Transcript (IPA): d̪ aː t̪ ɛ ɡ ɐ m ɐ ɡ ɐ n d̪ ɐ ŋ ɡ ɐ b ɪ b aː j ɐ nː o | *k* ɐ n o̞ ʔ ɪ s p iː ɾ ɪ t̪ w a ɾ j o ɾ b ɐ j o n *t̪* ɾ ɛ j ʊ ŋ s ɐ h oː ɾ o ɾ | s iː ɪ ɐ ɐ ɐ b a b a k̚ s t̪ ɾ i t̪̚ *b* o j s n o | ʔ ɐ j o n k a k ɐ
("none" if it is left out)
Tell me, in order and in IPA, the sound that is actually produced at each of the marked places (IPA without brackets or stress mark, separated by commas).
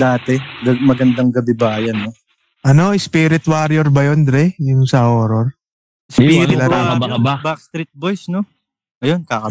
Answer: ʔ, d̪, b